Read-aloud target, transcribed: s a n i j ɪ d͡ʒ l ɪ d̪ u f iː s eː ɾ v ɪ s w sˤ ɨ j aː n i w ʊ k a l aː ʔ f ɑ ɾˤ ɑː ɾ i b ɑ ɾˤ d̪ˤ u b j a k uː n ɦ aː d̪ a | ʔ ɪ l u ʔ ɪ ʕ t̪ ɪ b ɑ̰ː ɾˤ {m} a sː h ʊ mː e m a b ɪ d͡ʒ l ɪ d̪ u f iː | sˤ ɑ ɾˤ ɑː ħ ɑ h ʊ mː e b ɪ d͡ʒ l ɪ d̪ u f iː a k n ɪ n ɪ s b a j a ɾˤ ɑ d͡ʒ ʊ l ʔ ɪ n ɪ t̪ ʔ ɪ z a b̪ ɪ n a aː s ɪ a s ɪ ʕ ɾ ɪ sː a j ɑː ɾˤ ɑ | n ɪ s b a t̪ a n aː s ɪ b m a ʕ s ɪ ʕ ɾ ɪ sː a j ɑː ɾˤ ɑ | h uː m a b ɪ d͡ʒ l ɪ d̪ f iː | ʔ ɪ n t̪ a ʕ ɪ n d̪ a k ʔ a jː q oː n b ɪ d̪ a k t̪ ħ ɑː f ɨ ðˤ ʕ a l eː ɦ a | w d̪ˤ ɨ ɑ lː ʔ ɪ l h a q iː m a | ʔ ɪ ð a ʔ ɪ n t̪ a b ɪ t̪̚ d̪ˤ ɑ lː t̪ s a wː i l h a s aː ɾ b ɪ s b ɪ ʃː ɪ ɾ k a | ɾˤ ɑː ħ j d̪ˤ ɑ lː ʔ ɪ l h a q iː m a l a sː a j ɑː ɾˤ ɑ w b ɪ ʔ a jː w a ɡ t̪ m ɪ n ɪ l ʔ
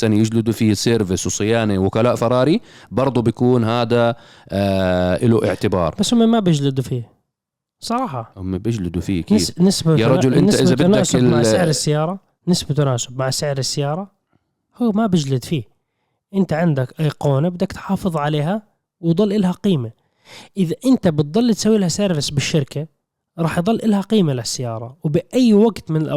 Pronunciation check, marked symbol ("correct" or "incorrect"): incorrect